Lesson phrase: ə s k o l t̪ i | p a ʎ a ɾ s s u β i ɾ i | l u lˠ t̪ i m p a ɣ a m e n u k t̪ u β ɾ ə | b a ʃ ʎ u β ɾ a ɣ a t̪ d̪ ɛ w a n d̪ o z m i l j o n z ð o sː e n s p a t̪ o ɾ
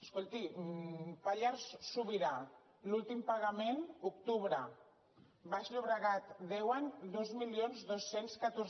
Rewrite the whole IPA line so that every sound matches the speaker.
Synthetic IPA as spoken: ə s k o l t̪ i | p a ʎ a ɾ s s u β i ɾ a | l u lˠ t̪ i m p a ɣ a m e n u k t̪ u β ɾ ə | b a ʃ ʎ u β ɾ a ɣ a t̪ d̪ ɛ w a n d̪ o z m i l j o n z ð o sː e n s k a t̪ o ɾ